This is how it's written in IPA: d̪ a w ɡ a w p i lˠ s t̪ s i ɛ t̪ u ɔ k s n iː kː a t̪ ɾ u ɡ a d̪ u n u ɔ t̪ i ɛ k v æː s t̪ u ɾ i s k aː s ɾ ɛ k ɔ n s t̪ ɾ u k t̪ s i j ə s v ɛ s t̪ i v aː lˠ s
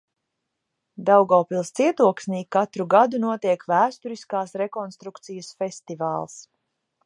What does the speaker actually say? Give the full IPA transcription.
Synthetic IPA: d̪ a w ɡ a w p i lˠ s t̪ s i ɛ t̪ u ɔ k s n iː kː a t̪ ɾ u ɡ a d̪ u n u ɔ t̪ i ɛ k v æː s t̪ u ɾ i s k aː s ɾ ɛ k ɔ n s t̪ ɾ u k t̪ s i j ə s f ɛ s t̪ i v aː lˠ s